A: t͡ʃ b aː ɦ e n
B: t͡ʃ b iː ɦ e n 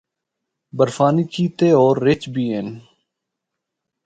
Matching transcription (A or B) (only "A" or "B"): B